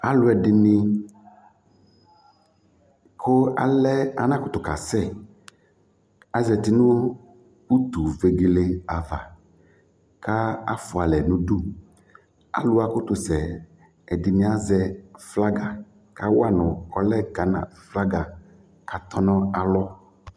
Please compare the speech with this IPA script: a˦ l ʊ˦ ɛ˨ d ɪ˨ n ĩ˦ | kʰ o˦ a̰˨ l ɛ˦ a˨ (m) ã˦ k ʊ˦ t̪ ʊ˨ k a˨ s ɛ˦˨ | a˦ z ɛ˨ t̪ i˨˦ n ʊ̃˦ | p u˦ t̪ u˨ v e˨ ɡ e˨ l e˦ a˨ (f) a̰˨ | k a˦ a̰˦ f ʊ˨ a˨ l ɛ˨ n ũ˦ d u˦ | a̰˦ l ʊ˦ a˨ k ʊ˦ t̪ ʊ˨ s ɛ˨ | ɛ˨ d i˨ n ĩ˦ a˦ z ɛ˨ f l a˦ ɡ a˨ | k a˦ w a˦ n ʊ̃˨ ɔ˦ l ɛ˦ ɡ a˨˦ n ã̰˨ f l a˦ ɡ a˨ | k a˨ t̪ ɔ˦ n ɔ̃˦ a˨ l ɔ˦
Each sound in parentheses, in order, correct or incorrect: incorrect: n, incorrect: v

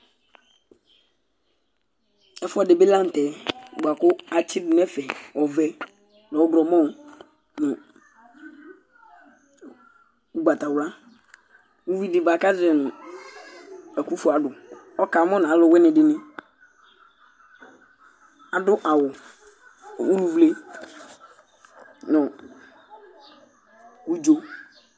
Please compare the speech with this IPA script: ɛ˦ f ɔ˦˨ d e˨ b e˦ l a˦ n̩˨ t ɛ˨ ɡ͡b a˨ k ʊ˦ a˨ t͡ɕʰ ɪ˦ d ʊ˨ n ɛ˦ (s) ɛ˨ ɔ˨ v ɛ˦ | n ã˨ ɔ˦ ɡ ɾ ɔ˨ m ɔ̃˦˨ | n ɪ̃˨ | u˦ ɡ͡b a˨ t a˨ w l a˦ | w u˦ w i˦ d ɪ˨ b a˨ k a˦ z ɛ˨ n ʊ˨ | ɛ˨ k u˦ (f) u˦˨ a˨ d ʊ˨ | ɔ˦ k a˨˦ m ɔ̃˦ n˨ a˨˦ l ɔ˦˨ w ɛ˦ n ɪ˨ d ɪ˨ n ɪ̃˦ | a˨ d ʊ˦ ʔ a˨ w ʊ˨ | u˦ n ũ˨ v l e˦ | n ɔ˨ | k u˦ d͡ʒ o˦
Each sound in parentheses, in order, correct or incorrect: incorrect: f, correct

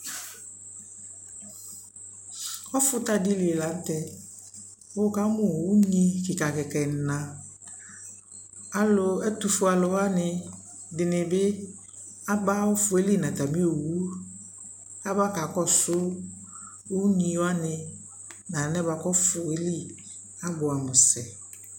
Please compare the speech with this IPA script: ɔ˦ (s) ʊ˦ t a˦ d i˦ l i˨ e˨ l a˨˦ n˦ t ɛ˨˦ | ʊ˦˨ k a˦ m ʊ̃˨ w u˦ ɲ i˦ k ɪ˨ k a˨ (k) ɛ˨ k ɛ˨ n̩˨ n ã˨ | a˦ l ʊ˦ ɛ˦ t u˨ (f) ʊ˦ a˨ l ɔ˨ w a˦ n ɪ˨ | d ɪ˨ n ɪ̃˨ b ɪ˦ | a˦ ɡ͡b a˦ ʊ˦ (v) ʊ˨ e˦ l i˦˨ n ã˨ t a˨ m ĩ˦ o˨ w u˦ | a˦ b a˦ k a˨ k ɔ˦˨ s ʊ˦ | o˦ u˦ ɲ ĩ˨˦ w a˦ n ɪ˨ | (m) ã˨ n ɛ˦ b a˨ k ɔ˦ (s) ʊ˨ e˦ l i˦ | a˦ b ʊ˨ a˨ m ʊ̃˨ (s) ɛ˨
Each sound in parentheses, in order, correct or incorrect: incorrect: f, correct, correct, incorrect: f, incorrect: n, incorrect: f, correct

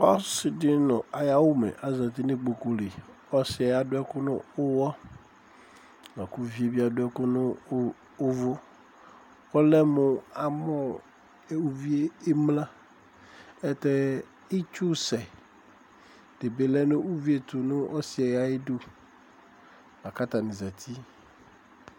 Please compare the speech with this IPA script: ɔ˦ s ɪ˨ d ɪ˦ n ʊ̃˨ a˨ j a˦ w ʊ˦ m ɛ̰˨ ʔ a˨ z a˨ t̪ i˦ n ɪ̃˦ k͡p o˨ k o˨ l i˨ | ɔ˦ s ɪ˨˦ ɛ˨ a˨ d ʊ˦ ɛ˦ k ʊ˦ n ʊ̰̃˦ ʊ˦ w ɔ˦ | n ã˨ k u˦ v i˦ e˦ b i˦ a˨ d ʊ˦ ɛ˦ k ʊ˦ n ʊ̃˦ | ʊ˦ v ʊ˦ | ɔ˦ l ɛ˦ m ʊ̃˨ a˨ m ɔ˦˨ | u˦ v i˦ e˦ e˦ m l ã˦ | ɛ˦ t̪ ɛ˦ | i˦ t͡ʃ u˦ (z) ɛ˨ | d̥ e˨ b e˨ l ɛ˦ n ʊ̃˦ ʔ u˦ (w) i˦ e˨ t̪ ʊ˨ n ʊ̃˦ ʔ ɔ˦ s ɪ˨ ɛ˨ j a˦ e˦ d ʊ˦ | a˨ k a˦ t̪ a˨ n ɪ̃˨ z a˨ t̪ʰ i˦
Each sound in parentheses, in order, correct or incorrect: incorrect: s, incorrect: v

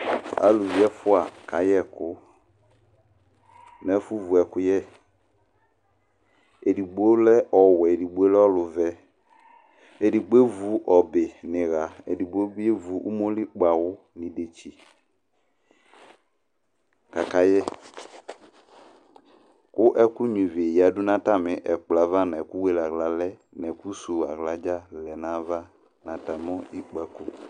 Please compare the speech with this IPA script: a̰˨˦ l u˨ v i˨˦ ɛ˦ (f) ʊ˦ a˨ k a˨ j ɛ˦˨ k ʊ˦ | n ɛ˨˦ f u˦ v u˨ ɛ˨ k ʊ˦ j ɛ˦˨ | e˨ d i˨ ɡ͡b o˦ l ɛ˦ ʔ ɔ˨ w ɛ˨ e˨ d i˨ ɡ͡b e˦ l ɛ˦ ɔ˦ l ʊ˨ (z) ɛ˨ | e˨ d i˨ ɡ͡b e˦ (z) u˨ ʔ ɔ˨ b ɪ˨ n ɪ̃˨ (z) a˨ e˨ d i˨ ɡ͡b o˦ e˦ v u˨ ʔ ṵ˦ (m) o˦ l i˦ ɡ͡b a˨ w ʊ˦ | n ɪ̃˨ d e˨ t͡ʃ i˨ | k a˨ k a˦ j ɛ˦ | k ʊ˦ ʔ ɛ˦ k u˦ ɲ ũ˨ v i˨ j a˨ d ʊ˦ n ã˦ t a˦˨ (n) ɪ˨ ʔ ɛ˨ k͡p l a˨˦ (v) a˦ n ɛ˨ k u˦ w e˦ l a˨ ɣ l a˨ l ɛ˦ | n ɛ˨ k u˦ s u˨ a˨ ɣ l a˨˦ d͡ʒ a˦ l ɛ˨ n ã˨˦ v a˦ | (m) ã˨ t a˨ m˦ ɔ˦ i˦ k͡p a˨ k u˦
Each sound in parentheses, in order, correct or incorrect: correct, incorrect: v, incorrect: v, incorrect: ɣ, correct, incorrect: m, correct, incorrect: n

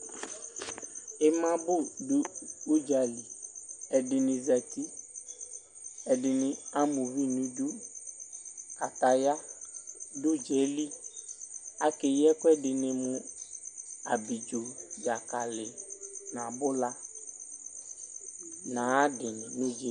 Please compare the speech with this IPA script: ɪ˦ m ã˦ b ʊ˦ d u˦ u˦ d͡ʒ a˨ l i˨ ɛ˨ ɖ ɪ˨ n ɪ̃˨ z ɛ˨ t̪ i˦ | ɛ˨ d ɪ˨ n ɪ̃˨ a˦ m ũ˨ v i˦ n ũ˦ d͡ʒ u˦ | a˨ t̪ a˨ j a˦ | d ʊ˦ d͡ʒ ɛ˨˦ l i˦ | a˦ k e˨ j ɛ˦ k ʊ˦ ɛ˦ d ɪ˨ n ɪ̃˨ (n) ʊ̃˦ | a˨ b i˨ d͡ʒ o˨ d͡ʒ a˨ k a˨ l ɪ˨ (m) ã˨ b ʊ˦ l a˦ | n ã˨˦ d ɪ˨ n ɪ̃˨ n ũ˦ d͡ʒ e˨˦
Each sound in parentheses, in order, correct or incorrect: incorrect: m, incorrect: n

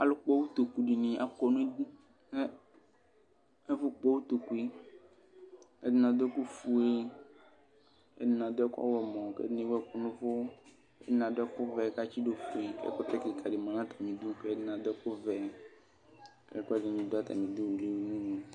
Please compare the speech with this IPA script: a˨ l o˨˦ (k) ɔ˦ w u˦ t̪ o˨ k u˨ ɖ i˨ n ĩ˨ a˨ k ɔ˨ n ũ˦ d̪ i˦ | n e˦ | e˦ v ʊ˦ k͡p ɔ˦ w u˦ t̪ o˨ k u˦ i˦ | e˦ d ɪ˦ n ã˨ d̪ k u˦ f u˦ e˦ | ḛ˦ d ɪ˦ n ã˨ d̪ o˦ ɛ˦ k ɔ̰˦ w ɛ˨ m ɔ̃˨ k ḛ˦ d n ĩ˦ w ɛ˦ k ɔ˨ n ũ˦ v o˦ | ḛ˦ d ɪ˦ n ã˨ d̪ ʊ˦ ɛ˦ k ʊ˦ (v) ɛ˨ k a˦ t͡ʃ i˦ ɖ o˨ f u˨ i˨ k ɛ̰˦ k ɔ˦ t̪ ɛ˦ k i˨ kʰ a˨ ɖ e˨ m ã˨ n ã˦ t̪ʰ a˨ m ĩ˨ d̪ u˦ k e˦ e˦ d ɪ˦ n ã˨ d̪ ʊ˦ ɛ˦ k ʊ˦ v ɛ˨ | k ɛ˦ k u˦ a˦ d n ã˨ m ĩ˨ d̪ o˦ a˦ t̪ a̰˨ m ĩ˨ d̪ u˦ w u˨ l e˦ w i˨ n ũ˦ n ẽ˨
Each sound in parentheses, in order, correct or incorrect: incorrect: k͡p, correct

